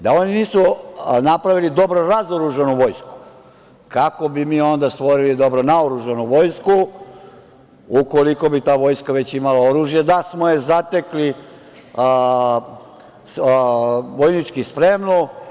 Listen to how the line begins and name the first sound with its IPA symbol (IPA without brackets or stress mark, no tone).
d̪